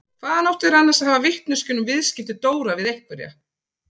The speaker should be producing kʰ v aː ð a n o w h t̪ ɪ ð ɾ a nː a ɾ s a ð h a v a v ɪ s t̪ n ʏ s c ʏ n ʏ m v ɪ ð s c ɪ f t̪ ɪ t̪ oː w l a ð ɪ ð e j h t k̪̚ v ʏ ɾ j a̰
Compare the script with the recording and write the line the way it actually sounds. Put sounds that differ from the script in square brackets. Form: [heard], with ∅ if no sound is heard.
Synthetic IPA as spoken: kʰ v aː ð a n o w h t̪ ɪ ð ɾ a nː a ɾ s a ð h a v a v ɪ [h] t̪ n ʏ s c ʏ n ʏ m v ɪ ð s c ɪ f t̪ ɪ t̪ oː w [ɾ] a [v] ɪ ð e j h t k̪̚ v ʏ ɾ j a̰